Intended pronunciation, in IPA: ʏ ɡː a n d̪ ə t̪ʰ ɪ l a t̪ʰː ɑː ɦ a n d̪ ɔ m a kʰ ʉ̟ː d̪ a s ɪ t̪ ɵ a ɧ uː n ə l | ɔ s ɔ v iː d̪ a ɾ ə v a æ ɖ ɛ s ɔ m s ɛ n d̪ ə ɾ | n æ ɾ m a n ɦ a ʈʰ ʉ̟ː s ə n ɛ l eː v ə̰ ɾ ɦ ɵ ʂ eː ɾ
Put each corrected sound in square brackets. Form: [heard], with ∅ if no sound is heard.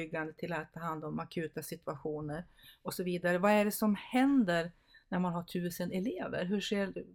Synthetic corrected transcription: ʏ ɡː a n d̪ ə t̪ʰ ɪ l a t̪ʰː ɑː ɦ a n d̪ ɔ m a kʰ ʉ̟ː [t̪] a s ɪ t̪ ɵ a ɧ uː n ə [ɾ] | ɔ s ɔ v iː d̪ a ɾ ə v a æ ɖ ɛ s ɔ m [h] ɛ n d̪ ə ɾ | n æ ɾ m a n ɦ a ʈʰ ʉ̟ː s ə n ɛ l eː v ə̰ ɾ ɦ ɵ ʂ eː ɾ